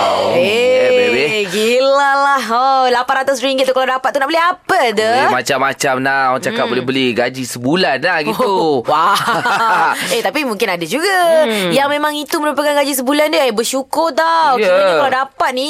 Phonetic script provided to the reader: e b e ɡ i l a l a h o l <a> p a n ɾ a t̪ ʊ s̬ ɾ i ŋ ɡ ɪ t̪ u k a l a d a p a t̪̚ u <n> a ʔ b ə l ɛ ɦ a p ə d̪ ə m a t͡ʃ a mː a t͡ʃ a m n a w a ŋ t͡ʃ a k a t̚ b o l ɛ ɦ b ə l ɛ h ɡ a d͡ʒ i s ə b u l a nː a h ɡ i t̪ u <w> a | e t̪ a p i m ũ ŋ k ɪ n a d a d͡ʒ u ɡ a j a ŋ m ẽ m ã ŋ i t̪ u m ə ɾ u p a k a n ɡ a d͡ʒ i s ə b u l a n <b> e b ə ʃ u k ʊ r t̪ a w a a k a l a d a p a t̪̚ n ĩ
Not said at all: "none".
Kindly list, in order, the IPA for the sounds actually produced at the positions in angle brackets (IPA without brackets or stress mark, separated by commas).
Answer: a, n, w, d